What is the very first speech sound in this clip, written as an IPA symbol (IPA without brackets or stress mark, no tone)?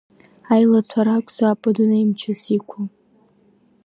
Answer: a